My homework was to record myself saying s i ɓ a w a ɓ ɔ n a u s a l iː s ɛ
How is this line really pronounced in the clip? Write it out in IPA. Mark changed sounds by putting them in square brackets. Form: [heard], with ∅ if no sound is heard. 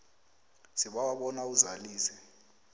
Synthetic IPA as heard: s i ɓ a w a ɓ ɔ n a u [z] a l iː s ɛ